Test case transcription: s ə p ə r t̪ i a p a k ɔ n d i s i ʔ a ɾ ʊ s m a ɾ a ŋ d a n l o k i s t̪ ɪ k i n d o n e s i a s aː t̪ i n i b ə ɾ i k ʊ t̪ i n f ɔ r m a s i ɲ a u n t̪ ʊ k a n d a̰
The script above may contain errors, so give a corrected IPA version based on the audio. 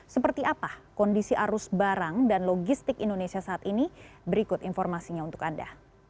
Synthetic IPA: s ə p ə r t̪ i a p a k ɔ n d i s i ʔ a ɾ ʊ s b a ɾ a ŋ d a n l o ɡ i s t̪ ɪ k i n d o n e s i a s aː t̪ i n i b ə ɾ i k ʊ t̪ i n f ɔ r m a s i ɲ a u n t̪ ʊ k a n d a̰